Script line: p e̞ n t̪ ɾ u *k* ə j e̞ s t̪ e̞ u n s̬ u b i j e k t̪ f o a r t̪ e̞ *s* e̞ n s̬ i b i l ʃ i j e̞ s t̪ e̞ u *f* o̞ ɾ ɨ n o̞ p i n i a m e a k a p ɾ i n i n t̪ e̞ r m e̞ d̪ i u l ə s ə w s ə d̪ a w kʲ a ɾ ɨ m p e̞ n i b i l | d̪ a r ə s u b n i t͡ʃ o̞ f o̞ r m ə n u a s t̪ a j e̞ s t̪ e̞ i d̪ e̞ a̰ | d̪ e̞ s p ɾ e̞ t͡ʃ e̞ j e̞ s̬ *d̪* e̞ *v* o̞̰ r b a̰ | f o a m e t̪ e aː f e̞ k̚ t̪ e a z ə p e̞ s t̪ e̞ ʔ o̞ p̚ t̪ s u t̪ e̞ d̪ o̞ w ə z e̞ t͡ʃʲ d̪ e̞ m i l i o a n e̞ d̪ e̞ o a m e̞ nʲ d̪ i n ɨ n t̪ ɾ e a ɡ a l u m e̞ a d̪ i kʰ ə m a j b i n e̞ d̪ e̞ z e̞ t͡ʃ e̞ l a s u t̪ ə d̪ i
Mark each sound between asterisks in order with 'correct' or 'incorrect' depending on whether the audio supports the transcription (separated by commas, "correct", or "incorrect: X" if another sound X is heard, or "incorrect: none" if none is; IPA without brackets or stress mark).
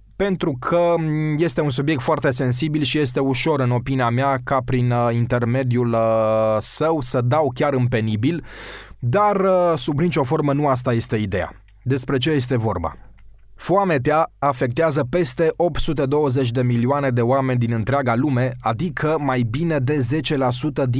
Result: incorrect: kʰ, correct, incorrect: ʃ, incorrect: t̪, correct